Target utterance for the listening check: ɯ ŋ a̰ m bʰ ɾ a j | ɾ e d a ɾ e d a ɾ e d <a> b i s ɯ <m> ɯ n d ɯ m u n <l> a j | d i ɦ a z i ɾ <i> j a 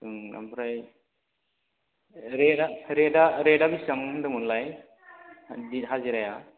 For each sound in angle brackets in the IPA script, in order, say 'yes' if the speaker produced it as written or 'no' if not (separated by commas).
yes, no, yes, no